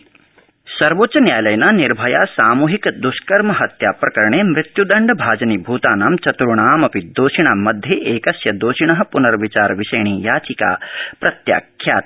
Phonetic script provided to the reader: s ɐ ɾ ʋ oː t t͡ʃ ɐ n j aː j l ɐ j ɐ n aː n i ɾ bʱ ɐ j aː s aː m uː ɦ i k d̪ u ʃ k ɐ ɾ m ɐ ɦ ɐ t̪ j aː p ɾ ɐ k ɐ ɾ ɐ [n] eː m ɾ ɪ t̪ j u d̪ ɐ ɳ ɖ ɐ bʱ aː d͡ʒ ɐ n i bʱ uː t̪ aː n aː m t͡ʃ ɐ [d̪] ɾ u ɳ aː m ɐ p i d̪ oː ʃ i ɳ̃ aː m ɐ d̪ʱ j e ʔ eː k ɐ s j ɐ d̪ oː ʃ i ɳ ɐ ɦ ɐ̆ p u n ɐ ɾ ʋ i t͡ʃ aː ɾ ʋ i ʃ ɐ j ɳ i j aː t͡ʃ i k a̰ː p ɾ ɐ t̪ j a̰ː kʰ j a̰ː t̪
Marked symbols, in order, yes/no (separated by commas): no, no